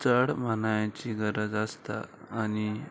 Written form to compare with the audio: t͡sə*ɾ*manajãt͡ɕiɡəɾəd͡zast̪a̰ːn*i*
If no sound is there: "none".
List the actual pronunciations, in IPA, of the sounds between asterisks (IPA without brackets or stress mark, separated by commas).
ɽ, i